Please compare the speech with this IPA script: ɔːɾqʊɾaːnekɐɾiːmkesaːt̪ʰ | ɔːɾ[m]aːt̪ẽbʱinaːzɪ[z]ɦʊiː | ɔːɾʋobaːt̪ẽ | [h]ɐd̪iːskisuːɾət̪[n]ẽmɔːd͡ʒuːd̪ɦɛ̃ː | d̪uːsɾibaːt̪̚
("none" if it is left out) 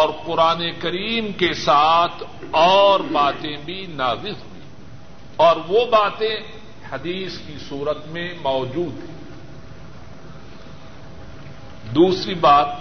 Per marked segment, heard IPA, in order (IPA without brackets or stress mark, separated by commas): b, z, h, m